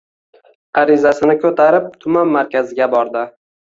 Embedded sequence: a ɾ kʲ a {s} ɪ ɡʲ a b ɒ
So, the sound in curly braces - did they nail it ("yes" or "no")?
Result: no